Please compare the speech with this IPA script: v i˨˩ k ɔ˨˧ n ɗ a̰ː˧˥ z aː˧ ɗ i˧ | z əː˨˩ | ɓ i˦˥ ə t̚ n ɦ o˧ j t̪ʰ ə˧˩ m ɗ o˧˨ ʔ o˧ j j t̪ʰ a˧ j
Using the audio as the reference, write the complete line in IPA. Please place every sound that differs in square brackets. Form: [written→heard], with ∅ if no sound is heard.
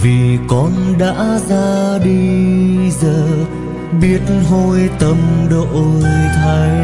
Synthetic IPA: v i˨˩ k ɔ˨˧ n ɗ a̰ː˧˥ z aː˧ ɗ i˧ | z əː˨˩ | ɓ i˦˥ ə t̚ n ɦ o˧ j [t̪ʰ→t̪] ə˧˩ m ɗ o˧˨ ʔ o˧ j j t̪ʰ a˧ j